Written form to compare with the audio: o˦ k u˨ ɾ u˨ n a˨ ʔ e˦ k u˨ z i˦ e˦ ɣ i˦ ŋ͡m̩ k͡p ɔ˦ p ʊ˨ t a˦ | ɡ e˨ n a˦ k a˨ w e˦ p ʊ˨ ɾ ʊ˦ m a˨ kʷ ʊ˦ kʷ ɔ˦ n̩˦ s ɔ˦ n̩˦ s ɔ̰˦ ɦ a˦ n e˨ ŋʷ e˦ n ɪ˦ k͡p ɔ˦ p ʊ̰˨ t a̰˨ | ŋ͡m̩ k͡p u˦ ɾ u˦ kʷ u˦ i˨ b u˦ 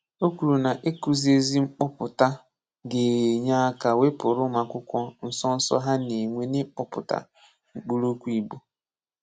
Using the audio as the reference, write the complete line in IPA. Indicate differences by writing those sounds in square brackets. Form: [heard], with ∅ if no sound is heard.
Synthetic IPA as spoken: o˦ k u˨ ɾ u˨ n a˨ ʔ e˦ k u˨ z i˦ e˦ [z] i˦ ŋ͡m̩ k͡p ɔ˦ p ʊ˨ t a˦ | ɡ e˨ [ɲ] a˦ k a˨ w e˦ p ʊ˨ ɾ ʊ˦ m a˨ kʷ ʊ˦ kʷ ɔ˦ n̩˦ s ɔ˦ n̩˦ s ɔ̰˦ ɦ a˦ n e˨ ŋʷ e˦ n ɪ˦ k͡p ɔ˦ p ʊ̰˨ t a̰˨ | ŋ͡m̩ k͡p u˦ ɾ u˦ kʷ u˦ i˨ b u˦